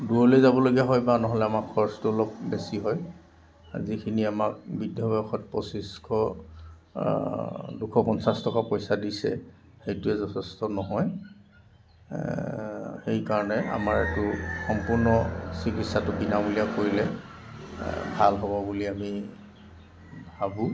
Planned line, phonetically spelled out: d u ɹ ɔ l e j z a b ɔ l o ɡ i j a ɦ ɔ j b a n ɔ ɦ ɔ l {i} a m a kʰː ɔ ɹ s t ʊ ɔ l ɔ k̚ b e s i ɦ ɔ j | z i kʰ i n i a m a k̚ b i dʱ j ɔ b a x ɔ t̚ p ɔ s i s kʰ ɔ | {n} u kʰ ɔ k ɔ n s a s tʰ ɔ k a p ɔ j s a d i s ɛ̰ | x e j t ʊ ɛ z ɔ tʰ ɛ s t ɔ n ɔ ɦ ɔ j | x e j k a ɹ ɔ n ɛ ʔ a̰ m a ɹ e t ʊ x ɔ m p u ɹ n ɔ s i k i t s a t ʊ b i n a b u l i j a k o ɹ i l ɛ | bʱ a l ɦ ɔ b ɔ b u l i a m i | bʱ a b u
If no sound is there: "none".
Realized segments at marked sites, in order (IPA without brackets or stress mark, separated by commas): ɛ, d